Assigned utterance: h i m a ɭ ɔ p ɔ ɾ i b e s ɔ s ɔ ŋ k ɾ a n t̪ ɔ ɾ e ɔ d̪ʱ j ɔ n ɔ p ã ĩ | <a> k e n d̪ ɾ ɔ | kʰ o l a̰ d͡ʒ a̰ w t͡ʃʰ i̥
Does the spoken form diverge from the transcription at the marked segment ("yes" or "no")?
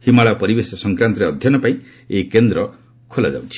yes